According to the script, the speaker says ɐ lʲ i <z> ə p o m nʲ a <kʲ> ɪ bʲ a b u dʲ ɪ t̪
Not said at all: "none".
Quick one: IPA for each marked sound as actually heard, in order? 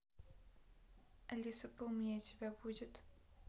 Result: s, tʲ

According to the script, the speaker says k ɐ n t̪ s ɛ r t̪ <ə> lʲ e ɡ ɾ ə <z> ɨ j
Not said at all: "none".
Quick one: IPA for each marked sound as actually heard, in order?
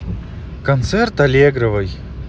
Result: ɐ, v

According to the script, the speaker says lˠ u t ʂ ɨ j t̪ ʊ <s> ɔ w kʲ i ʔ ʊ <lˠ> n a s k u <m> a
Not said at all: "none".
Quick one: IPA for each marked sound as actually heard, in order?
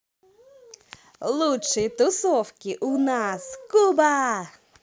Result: s, none, b

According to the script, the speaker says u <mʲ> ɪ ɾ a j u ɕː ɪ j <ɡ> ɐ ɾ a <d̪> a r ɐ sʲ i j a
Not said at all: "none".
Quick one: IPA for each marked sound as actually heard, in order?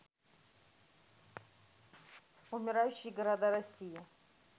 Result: mʲ, ɡ, d̪

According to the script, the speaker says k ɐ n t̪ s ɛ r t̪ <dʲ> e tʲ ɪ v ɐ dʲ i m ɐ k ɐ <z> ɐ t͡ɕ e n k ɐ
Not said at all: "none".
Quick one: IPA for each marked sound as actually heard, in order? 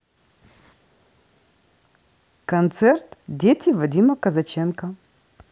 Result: dʲ, z

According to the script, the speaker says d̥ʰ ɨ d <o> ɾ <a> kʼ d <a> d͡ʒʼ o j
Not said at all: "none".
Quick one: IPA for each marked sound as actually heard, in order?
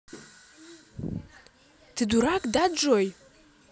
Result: u, a, a

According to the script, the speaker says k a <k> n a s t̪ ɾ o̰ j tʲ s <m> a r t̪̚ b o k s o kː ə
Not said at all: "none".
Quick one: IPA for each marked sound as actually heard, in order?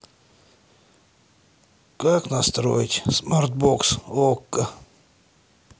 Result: k, m

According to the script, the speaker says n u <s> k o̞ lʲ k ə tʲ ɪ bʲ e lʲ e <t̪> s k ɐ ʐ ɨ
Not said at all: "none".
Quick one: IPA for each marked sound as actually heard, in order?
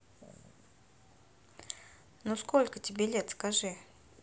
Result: s, t̪

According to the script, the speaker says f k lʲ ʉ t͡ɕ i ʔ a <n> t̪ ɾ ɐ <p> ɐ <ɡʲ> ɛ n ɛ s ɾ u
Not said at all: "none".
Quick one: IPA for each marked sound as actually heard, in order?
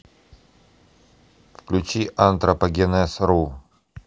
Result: n, p, ɡʲ

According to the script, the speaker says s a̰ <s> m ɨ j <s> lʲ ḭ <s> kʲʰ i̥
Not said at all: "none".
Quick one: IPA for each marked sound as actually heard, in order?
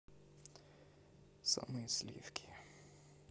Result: none, s, f

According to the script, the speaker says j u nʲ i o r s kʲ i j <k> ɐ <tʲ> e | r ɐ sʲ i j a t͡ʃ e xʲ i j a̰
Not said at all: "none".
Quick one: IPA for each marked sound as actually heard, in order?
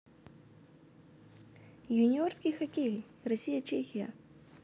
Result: x, kʲ

